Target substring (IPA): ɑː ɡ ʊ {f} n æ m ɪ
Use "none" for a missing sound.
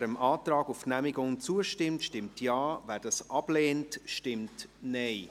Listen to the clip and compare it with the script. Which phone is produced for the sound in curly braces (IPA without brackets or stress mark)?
f